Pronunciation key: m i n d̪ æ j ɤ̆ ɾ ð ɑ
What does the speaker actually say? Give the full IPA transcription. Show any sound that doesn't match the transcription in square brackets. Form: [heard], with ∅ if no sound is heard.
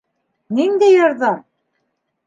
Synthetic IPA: [n] i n d̪ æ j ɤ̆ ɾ ð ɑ